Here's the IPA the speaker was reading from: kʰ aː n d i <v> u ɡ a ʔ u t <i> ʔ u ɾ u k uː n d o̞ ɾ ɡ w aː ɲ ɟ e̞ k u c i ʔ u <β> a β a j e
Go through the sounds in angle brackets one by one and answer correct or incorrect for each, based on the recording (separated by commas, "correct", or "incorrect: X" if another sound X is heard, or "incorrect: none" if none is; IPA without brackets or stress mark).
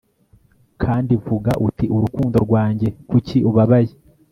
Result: correct, correct, correct